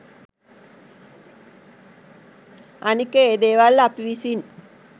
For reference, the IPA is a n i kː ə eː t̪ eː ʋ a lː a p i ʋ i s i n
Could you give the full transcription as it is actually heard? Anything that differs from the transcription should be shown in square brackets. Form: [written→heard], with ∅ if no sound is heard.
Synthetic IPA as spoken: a n i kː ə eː [t̪→d̪] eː ʋ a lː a p i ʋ i s i n